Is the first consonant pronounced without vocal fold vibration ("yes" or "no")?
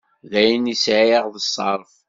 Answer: no